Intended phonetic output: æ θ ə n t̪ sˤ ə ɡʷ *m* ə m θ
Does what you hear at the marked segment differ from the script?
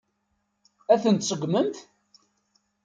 no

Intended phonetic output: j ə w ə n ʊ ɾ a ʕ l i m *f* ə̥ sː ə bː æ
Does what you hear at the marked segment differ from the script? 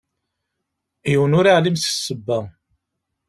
yes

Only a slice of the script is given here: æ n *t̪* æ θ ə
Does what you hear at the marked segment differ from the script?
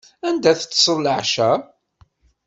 yes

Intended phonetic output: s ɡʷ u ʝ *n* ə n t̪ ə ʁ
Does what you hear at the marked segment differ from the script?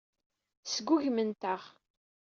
yes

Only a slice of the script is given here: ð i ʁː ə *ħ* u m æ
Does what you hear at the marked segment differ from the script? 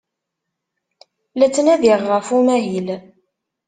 yes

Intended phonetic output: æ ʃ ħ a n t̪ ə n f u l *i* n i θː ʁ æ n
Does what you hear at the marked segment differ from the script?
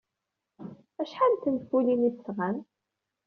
no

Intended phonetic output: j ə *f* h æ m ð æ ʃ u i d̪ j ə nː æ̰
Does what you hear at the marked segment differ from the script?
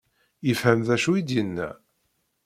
no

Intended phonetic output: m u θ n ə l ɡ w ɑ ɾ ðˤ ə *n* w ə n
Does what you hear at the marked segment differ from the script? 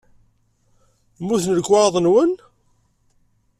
no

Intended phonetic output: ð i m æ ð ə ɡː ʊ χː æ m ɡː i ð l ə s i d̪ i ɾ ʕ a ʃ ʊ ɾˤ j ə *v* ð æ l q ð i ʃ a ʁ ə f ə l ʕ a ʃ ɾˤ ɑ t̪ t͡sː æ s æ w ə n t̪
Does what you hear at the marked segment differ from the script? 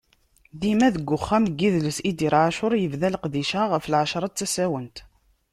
no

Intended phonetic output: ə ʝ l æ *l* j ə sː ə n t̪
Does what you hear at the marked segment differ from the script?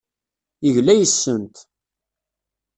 yes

